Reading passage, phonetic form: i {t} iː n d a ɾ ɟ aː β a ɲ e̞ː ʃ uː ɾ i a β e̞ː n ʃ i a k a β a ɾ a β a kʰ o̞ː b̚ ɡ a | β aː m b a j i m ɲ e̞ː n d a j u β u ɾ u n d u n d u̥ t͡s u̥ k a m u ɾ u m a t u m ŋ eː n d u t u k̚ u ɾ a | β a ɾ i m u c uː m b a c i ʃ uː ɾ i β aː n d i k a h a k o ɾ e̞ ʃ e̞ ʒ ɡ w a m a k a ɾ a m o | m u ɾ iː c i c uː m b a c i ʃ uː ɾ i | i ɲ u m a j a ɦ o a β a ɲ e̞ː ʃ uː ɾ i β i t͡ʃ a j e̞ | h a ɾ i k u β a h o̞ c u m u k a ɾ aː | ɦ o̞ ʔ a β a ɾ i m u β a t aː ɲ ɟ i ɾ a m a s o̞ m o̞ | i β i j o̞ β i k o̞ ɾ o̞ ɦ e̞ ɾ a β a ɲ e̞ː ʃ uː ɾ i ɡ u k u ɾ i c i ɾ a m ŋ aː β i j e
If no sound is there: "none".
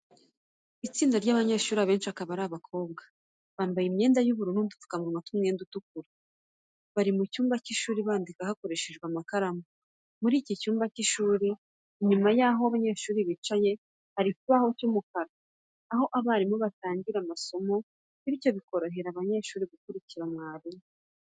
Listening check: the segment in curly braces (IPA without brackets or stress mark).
t͡s